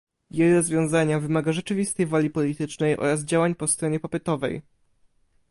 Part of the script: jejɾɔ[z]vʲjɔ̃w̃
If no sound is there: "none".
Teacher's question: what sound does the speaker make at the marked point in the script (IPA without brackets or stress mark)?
z